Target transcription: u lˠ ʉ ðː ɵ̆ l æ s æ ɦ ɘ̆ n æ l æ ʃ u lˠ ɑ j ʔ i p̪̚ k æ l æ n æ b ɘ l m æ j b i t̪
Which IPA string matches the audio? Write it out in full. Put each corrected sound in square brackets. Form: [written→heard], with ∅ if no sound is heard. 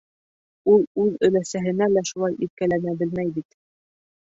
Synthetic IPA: u lˠ ʉ [ðː→ð] ɵ̆ l æ s æ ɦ ɘ̆ n æ l æ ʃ u lˠ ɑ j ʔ i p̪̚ k æ l æ n æ b ɘ l m æ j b i t̪